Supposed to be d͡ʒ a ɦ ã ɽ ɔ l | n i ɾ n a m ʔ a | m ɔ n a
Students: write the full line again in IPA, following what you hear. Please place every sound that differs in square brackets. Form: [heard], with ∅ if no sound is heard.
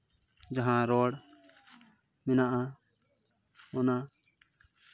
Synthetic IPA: d͡ʒ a ɦ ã [ɾ] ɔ [ɽ] | [m] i [∅] n a [∅] ʔ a | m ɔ n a